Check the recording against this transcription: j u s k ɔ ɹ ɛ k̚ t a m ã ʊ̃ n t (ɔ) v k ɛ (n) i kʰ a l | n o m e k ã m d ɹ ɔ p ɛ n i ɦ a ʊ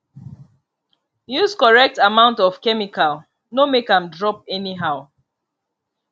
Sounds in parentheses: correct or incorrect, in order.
correct, incorrect

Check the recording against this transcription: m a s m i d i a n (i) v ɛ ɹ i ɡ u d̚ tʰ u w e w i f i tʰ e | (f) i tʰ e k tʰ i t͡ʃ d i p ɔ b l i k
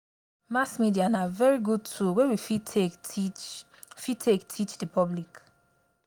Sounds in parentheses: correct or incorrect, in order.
incorrect, correct

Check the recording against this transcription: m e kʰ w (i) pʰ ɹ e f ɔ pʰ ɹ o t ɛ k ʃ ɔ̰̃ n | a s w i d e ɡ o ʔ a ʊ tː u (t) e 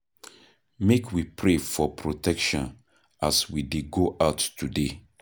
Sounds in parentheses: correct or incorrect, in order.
correct, incorrect

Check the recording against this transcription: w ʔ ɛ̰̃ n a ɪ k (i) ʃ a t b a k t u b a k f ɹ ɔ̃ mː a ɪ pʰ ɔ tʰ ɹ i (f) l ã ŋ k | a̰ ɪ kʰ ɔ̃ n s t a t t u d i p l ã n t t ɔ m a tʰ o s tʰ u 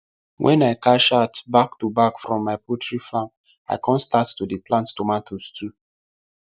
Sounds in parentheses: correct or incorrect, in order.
incorrect, correct

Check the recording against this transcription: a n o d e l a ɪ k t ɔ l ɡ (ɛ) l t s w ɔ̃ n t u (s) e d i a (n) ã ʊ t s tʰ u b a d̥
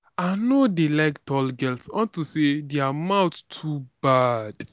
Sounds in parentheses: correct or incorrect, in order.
correct, correct, incorrect

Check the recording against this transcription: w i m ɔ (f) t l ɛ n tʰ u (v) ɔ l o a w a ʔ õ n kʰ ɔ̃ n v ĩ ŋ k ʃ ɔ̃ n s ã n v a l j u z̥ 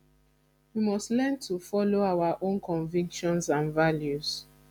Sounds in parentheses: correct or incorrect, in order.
incorrect, incorrect

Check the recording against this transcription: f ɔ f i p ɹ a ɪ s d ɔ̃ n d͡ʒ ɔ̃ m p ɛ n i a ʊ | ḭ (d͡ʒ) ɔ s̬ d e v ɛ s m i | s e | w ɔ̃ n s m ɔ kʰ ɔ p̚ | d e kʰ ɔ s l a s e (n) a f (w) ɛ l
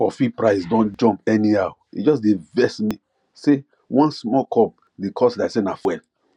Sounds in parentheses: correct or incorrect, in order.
correct, correct, correct

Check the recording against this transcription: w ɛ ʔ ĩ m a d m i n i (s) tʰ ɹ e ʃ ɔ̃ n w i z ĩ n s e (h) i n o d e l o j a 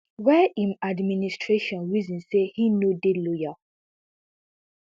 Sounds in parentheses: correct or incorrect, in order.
correct, correct

